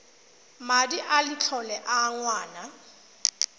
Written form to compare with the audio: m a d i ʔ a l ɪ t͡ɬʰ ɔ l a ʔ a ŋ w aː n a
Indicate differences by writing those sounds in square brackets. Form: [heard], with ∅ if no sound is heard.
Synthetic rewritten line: m a d i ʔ a l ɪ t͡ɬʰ ɔ l [ɛ] ʔ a ŋ w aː n a